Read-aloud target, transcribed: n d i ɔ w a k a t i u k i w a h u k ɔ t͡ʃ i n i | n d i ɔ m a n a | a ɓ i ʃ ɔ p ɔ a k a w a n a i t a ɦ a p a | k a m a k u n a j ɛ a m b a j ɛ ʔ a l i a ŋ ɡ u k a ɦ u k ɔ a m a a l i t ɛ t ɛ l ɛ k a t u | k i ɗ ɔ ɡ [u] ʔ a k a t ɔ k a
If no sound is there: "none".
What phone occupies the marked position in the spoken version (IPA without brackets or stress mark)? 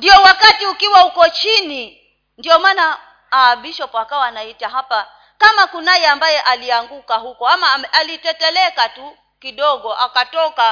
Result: ɔ